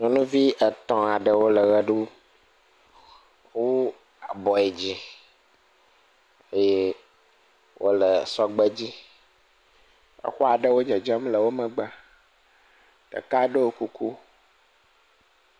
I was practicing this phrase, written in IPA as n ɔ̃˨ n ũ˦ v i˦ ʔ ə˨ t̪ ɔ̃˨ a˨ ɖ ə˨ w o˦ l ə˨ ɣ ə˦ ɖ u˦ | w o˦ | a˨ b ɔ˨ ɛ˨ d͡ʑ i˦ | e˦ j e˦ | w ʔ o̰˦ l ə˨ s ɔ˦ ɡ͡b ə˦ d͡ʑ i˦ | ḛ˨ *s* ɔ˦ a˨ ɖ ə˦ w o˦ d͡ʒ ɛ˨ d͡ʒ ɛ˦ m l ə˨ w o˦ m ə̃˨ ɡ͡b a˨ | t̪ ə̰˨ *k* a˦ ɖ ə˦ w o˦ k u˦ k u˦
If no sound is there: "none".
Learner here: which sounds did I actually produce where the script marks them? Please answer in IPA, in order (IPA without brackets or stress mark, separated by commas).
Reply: x, k